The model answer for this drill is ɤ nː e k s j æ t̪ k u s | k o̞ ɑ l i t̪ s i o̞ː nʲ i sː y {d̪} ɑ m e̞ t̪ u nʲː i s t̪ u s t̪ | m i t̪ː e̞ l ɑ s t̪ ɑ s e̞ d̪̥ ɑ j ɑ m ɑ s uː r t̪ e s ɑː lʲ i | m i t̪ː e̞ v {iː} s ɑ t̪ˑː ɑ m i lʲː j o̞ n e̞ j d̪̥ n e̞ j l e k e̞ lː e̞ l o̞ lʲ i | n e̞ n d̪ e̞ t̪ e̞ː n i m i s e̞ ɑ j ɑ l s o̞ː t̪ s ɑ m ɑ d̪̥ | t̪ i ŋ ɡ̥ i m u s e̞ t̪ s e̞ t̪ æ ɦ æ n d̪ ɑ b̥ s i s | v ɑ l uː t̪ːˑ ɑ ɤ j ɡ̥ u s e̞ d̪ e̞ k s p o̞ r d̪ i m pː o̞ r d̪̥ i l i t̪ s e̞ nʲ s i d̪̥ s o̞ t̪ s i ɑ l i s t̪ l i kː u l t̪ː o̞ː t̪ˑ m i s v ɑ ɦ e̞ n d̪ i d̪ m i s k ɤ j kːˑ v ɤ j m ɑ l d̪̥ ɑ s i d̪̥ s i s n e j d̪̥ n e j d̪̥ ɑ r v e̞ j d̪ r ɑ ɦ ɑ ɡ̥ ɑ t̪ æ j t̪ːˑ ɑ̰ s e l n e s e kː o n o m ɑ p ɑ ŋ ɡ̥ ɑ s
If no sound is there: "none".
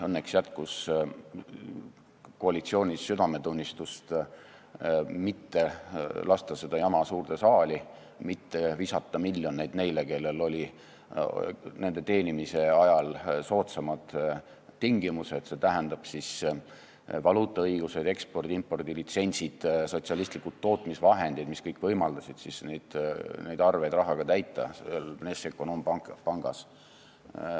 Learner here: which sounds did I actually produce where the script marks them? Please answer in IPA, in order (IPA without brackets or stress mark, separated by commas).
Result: d̪, i